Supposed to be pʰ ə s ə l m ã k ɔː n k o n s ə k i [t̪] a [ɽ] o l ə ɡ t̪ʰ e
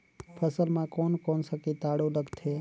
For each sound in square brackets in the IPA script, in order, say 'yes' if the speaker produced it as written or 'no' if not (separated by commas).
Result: yes, yes